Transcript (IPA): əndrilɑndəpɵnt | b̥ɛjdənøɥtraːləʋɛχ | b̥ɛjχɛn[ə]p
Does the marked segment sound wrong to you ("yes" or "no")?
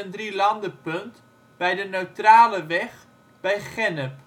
no